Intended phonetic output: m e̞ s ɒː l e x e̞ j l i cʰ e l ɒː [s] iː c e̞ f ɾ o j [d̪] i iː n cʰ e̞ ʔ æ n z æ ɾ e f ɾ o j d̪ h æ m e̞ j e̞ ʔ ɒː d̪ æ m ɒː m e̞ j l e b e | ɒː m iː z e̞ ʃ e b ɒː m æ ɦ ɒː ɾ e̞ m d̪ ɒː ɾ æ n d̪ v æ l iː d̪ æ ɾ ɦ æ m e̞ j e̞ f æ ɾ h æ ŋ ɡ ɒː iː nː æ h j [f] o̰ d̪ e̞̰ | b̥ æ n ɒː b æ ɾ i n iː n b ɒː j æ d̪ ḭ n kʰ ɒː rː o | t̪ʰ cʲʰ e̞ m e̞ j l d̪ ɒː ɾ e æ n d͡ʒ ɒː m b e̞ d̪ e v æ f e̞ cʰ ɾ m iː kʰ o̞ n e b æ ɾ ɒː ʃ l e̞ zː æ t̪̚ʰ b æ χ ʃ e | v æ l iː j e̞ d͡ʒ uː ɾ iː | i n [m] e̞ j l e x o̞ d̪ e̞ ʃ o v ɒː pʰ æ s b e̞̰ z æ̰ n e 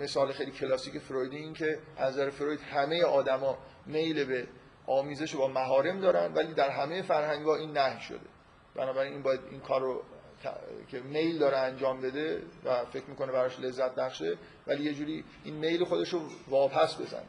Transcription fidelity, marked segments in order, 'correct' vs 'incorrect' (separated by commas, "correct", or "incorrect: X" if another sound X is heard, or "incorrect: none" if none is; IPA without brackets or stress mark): correct, correct, incorrect: ʃ, correct